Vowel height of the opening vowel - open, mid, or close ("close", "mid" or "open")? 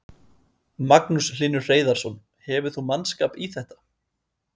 open